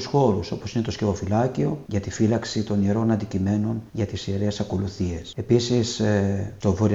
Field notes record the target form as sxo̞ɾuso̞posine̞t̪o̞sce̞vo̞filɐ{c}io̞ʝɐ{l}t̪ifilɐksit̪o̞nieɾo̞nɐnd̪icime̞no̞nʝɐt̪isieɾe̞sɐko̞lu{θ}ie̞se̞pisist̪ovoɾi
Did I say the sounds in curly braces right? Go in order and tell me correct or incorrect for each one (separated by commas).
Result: correct, incorrect, correct